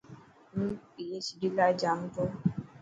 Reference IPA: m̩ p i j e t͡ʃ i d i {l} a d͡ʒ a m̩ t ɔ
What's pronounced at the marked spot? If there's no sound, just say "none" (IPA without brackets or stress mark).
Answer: l